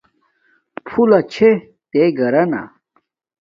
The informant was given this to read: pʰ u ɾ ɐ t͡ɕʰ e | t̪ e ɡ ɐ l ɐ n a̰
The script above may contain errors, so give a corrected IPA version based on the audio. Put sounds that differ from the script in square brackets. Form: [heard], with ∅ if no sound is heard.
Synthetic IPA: pʰ u [l] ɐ t͡ɕʰ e | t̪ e ɡ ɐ [ɾ] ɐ n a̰